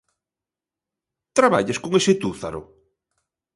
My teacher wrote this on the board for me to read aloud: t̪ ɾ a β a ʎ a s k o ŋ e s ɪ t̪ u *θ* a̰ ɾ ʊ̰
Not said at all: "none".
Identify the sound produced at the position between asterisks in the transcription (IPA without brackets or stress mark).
θ